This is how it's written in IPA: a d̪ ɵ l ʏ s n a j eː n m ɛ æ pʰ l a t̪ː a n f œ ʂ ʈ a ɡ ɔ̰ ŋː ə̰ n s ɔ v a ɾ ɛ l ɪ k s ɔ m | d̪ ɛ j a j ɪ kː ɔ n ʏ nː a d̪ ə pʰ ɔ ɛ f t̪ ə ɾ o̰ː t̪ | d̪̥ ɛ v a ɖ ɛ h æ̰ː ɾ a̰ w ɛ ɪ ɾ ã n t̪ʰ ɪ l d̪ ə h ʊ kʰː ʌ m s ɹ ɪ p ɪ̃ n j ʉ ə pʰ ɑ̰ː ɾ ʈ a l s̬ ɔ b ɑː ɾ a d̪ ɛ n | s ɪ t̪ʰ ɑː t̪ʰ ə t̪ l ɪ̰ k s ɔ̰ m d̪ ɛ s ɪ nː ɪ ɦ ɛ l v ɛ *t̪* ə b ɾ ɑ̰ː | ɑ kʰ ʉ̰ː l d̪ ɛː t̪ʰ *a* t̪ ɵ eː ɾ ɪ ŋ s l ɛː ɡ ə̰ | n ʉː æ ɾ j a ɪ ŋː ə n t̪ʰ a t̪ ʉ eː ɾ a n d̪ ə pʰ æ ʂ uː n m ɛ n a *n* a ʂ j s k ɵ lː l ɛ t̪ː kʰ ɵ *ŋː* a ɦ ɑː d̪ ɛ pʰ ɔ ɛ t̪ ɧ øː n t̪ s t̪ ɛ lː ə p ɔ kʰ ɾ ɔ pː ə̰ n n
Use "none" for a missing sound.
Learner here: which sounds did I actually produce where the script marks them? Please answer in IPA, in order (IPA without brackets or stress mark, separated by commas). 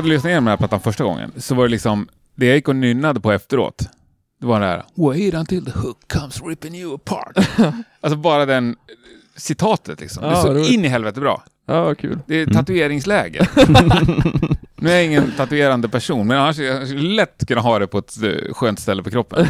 t̪, a, nː, nː